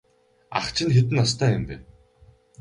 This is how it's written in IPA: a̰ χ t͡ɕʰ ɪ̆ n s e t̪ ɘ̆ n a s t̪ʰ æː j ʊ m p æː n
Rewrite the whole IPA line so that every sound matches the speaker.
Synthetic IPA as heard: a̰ χ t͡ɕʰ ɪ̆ n x e t̪ ɘ̆ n a s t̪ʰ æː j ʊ m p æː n